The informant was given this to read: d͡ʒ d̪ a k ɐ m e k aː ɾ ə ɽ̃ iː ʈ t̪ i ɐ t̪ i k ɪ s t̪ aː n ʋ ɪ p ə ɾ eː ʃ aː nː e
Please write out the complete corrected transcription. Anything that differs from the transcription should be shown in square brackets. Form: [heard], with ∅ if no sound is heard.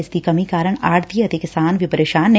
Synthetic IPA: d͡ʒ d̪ [i] k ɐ m [i] k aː ɾ ə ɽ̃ [aː] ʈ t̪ i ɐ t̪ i k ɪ s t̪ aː n ʋ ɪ p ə ɾ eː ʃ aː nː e